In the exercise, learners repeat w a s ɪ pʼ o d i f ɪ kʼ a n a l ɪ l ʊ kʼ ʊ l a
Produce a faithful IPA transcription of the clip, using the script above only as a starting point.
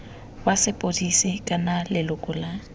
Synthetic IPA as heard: w a s ɪ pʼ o d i s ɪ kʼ a n a l ɪ l ʊ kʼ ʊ l a